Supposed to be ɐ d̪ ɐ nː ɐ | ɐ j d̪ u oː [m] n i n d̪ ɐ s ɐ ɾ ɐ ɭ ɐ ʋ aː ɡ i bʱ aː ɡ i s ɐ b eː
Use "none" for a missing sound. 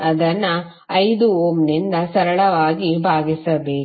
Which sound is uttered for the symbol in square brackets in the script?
m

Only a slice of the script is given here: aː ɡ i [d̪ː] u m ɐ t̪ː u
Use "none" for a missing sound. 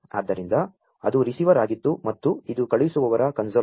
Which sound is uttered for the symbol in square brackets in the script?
t̪ː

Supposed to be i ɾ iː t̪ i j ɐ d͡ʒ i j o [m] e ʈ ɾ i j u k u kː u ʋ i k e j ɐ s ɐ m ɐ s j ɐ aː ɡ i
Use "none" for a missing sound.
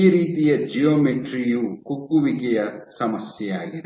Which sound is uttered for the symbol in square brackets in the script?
m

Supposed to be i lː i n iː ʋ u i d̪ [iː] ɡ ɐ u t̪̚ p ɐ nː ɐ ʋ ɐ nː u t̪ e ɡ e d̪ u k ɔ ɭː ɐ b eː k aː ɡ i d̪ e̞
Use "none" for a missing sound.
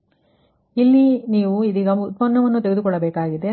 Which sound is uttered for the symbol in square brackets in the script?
iː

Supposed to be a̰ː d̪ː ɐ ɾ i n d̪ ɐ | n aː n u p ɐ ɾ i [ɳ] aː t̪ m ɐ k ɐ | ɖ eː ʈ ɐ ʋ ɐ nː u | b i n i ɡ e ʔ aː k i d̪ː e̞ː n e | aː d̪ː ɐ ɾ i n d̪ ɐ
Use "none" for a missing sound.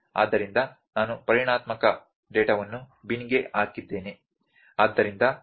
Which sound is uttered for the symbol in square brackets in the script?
ɳ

